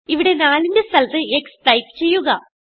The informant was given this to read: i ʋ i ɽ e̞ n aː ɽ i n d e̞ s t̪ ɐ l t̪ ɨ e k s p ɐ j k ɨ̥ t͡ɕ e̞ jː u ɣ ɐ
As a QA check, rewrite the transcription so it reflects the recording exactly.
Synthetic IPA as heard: i ʋ i ɽ e̞ n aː l i n d e̞ s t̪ ɐ l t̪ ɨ e k s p ɐ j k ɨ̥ t͡ɕ e̞ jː u ɣ ɐ